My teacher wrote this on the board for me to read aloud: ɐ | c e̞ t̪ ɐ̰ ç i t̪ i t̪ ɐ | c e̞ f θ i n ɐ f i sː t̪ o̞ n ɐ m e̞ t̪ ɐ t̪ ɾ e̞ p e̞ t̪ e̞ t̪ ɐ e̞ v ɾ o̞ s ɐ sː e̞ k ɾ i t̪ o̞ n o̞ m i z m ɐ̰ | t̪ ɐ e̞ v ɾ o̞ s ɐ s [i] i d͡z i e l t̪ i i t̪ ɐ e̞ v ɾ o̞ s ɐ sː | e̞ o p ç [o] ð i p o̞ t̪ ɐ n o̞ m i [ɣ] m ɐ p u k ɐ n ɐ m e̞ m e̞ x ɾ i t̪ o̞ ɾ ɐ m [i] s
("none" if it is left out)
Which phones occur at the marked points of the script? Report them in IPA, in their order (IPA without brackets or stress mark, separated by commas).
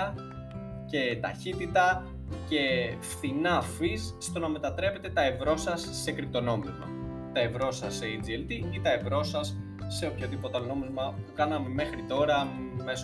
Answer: e, o, z, e